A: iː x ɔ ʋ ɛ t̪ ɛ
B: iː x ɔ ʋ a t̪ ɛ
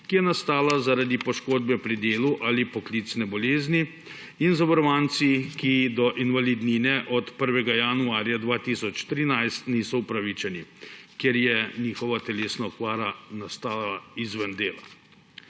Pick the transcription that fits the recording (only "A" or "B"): B